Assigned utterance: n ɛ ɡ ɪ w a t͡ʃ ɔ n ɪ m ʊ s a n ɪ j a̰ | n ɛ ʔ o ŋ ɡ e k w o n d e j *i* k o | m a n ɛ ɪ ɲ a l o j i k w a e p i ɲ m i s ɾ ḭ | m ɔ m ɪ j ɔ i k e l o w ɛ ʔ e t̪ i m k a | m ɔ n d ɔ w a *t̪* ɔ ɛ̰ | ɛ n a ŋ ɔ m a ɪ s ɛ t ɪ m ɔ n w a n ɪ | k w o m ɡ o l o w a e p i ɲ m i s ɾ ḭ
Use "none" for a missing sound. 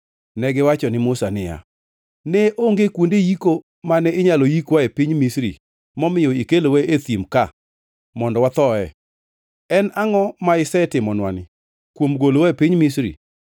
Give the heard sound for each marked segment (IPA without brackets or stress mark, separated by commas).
i, t̪